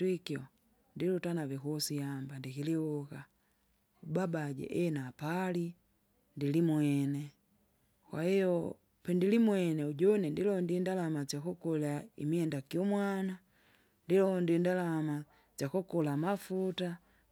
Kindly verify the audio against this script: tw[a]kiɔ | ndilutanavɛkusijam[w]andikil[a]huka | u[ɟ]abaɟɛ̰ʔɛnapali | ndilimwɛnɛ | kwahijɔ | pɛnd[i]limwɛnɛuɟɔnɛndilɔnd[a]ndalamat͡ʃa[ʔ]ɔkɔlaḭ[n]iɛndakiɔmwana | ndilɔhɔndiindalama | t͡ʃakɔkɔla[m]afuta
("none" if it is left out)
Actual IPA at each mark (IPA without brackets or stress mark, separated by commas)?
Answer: i, b, i, b, i, i, k, m, m